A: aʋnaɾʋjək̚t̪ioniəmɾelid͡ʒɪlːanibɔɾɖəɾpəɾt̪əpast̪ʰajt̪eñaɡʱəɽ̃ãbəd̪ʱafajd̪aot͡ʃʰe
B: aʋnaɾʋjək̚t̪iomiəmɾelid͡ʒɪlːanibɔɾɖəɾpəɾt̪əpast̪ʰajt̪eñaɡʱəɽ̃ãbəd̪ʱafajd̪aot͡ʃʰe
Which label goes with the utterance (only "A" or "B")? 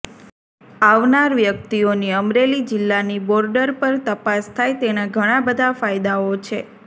A